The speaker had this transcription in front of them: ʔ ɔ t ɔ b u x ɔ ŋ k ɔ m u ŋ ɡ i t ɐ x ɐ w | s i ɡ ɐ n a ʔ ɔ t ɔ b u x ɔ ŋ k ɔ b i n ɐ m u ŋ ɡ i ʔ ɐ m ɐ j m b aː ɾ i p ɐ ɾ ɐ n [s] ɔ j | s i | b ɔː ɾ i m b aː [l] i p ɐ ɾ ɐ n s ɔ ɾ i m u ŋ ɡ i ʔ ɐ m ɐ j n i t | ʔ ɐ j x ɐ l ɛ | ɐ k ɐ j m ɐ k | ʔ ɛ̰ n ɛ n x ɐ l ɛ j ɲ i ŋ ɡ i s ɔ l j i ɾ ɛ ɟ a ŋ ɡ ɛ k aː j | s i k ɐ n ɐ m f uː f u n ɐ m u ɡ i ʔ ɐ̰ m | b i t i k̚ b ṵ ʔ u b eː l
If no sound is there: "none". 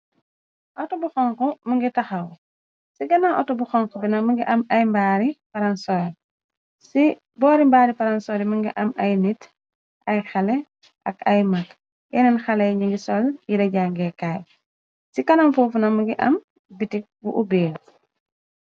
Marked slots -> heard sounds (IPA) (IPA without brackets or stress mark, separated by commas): s, ɾ